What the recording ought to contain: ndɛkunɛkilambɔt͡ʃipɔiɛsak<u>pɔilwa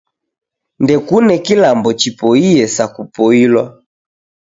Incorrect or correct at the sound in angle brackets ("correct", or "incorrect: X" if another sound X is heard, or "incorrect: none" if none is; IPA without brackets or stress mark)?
correct